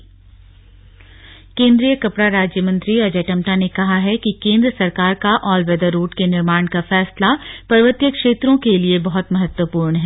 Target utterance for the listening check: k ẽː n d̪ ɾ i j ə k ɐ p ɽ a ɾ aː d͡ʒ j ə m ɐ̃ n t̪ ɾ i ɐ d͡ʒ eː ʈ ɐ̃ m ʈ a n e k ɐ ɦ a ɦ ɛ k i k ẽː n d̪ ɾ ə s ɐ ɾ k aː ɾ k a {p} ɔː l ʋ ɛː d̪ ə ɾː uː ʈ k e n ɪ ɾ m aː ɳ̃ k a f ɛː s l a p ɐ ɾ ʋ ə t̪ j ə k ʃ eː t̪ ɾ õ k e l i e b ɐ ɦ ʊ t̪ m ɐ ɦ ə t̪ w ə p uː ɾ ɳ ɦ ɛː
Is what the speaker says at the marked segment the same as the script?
no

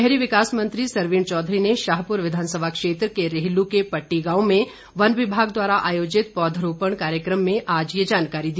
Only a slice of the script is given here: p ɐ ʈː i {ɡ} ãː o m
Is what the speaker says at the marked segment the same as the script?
yes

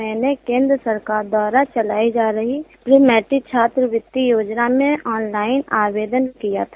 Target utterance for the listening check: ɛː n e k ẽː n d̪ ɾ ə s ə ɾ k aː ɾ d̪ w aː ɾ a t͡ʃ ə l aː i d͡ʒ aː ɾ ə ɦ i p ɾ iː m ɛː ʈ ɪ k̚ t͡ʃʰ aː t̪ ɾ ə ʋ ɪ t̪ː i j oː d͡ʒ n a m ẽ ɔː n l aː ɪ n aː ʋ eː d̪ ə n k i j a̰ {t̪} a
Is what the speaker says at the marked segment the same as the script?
no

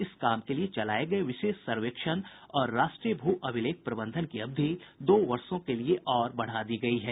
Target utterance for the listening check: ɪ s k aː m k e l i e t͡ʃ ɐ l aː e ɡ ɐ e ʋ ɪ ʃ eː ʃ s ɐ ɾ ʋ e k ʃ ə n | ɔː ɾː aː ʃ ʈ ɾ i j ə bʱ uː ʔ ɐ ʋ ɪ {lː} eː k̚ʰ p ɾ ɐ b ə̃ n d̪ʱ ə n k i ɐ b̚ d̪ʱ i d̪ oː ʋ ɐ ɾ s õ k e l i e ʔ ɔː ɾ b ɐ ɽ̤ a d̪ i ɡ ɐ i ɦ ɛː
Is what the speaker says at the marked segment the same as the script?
no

